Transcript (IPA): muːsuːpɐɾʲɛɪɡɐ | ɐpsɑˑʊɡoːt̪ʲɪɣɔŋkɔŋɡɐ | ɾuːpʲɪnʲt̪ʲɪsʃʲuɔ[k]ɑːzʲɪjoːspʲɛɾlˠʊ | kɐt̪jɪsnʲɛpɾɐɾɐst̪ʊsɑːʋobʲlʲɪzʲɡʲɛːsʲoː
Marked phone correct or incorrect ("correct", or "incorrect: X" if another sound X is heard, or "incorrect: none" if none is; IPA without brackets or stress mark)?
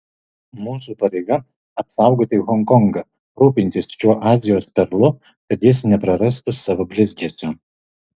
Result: incorrect: ʔ